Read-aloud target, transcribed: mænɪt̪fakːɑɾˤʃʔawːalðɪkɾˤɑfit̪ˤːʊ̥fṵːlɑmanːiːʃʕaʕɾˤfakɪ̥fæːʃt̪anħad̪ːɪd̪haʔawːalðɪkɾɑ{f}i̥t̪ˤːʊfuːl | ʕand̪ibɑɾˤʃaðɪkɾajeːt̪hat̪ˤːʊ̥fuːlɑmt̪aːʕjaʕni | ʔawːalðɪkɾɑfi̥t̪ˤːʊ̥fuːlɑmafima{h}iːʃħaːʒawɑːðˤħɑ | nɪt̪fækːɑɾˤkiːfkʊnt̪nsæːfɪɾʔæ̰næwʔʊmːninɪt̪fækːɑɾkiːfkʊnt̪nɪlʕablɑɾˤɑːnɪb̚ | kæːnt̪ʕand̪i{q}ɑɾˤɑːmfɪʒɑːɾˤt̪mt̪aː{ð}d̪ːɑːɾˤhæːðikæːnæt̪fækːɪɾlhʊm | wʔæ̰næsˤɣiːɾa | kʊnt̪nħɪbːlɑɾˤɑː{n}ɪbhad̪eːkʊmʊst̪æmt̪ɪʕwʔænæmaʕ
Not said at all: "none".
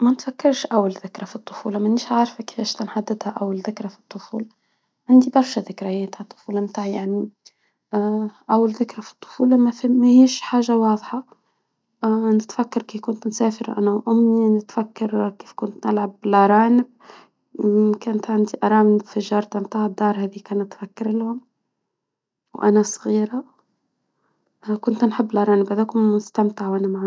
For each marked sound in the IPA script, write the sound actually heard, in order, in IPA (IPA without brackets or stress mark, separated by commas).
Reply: f, h, ʔ, ʕ, n